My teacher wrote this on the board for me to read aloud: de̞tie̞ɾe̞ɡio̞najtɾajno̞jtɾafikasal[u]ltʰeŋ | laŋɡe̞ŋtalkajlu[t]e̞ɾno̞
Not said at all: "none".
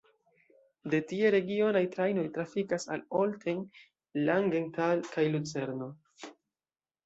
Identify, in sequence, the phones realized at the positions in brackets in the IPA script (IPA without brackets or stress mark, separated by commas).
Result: o, t͡s